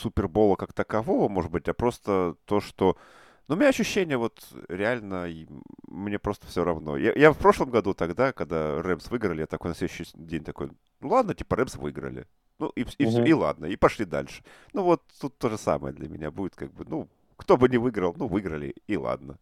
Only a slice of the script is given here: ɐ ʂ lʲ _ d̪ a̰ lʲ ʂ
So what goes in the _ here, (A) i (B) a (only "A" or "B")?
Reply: A